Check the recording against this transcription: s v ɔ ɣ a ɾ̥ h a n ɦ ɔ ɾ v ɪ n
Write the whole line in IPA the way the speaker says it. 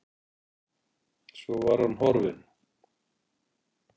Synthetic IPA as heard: s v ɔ v a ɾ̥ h a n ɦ ɔ ɾ v ɪ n